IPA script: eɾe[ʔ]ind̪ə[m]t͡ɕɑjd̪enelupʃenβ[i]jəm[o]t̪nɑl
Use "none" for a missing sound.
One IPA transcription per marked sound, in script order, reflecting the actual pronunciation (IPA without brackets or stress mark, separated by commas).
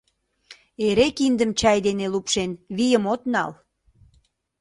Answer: k, m, i, o